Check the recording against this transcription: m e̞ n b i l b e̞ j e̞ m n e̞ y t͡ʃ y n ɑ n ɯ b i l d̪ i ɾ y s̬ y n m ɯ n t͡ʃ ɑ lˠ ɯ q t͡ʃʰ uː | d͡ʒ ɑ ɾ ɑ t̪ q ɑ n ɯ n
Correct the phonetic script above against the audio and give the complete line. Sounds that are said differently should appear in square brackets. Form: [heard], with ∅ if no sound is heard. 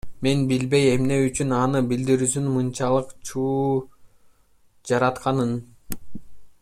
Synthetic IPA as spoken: m e̞ n b i l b e̞ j e̞ m n e̞ y t͡ʃ y n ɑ n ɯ b i l d̪ i ɾ y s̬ y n m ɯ n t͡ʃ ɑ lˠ ɯ q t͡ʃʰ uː | d͡ʒ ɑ ɾ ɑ t̪ q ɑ n ɯ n